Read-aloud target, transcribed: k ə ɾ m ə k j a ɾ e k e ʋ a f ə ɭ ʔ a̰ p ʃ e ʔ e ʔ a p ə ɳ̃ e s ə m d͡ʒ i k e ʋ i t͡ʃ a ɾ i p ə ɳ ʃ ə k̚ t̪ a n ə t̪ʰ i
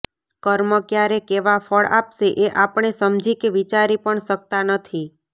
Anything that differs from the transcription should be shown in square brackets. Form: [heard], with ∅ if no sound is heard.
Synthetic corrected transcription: k ə ɾ m ə k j a ɾ e k e ʋ a f ə ɭ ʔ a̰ p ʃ e ʔ e ʔ a p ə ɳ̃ e s ə m d͡ʒ i k e ʋ i t͡ʃ a ɾ i p ə ɳ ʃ ə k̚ t̪ a n ə t̪ʰ i